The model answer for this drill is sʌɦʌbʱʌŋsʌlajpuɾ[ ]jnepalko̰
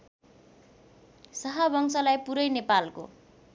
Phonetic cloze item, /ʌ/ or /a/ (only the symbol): ʌ